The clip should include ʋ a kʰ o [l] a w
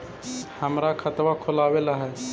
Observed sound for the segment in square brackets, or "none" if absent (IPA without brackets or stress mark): l